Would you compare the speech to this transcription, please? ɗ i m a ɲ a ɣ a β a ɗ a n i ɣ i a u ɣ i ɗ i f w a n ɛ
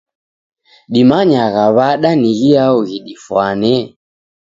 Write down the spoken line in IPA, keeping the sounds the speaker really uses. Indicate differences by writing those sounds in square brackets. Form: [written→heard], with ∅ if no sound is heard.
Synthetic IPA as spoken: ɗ i m a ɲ a ɣ a β a ɗ a n i ɣ i a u ɣ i ɗ i f w a n ɛ